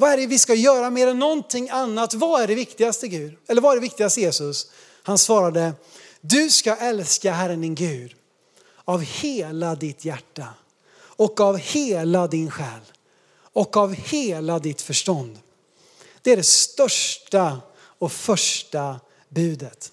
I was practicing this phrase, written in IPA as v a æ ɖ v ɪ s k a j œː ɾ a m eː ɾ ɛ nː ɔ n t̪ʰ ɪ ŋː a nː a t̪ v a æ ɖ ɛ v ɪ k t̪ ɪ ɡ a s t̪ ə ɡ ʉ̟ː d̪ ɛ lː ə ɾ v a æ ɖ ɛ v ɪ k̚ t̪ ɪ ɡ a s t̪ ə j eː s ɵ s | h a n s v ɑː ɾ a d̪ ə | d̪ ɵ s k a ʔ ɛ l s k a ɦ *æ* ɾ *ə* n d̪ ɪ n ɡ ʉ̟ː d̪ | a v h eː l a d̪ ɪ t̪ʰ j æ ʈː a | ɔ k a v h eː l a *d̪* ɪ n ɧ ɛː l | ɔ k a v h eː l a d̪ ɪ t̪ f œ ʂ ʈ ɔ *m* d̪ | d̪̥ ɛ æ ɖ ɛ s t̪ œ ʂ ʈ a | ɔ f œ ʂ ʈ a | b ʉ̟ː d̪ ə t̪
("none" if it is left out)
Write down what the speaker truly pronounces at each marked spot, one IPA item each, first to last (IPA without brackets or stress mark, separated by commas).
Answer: æ, ə, d̪, n